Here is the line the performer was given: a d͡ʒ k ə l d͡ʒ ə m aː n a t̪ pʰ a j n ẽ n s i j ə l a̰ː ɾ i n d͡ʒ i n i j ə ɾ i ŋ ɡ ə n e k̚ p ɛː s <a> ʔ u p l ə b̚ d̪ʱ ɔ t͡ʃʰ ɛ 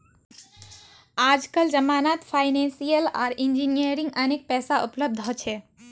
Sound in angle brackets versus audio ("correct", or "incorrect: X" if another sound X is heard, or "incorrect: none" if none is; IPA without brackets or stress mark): correct